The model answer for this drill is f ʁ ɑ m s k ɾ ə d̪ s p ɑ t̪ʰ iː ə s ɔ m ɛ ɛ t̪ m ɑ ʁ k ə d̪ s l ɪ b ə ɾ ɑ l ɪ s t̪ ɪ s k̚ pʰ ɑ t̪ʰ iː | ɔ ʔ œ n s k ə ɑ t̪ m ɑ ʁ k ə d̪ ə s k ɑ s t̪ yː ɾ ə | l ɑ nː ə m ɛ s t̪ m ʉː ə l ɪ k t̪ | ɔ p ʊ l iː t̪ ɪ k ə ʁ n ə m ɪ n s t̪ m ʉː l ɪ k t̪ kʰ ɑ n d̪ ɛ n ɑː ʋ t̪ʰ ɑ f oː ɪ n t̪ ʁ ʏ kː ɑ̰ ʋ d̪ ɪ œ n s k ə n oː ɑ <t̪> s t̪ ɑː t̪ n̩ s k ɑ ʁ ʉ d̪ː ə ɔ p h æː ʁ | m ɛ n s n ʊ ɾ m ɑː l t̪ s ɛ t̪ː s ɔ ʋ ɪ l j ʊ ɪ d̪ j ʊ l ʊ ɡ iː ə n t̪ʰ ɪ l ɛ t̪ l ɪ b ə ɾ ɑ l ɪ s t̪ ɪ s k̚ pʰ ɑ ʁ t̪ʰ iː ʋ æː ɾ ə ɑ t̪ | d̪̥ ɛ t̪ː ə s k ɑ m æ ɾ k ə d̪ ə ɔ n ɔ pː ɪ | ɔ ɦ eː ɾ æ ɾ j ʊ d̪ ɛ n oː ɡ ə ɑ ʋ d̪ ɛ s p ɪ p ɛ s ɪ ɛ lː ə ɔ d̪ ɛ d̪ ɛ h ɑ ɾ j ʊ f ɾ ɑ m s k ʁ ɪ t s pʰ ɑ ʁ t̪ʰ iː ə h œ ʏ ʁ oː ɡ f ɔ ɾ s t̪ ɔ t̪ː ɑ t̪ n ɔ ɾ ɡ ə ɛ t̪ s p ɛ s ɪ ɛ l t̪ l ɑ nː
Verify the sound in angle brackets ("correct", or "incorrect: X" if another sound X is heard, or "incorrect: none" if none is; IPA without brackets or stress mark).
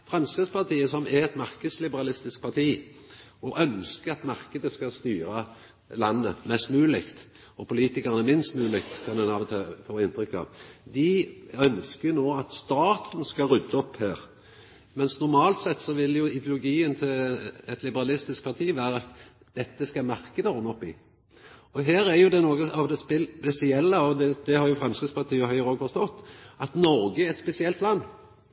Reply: correct